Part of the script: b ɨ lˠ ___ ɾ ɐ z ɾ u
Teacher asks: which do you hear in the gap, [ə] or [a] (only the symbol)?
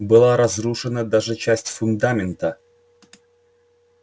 a